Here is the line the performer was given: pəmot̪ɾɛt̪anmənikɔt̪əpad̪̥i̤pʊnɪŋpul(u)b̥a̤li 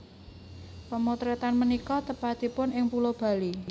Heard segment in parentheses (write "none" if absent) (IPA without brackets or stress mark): o